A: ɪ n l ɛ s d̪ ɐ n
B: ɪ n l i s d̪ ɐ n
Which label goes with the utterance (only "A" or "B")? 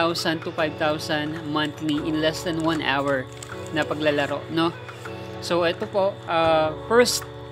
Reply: A